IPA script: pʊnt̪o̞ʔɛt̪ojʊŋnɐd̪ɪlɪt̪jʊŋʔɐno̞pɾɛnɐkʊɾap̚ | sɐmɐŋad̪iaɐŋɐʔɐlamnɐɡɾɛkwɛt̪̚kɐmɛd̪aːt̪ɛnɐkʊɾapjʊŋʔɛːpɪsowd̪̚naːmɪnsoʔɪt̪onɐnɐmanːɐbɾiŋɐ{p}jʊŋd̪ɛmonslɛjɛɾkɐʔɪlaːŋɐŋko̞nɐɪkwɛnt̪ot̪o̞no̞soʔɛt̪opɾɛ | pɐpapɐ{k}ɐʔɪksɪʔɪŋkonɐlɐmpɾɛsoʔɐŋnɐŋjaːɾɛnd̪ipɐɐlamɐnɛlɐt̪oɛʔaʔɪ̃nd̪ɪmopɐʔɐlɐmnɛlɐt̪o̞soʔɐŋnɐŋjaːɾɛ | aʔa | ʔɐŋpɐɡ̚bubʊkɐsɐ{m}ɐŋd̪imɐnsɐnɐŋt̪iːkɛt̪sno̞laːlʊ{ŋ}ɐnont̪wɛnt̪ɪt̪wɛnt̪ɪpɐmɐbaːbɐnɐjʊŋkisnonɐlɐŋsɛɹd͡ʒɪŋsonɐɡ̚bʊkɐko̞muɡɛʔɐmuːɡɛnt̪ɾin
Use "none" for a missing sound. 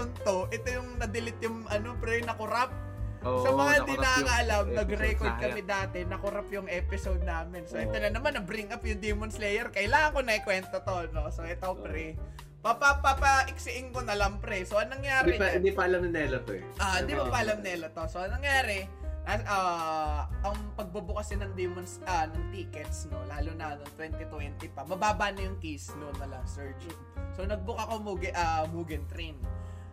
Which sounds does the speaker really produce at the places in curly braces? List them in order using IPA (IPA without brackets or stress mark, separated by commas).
p, p, n, n